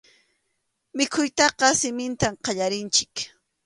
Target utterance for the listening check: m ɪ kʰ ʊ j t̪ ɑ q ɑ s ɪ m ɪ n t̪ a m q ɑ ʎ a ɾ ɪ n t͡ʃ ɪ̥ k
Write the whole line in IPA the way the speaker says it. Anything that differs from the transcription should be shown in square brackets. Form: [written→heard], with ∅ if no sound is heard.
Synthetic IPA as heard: m ɪ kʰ ʊ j t̪ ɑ q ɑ s ɪ m ɪ n t̪ a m q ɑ ʎ a ɾ ɪ n t͡ʃ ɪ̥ k